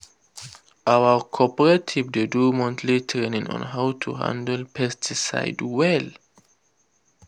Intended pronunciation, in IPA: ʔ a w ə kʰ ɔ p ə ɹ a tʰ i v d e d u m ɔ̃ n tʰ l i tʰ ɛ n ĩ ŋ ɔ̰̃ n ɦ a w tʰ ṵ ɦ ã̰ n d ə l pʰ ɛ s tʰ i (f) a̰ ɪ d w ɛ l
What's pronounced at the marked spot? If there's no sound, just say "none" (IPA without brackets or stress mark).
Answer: s